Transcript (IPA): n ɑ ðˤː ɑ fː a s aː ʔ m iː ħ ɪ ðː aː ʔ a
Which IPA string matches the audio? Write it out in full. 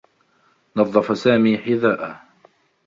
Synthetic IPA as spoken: n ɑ ðˤː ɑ f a s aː m iː ħ ɪ ð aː ʔ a